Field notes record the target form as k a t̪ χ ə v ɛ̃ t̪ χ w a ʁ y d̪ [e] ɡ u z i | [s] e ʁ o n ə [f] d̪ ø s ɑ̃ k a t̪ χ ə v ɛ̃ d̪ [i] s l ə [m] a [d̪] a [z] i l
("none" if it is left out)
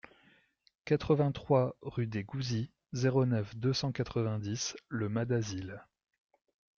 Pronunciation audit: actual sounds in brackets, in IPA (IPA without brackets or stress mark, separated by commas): e, z, f, i, m, d̪, z